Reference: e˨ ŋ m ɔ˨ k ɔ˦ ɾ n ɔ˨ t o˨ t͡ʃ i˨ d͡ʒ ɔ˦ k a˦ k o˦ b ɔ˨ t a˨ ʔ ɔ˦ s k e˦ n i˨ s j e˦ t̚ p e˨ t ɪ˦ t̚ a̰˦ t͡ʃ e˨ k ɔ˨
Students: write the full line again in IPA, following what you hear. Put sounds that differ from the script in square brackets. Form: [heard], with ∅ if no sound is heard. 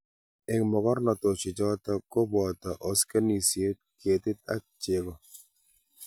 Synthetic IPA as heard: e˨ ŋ m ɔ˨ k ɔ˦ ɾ n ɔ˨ t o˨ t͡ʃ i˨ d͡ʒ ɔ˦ [t] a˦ k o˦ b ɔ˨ t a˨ ʔ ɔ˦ s k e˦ n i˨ s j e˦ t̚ [k] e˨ t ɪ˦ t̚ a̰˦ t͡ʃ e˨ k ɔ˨